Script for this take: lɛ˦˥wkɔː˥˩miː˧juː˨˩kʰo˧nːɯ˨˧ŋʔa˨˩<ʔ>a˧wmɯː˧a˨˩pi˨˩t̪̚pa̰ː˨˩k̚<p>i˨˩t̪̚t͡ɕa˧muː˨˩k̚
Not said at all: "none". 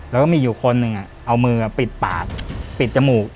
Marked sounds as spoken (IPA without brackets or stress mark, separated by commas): ʔ, p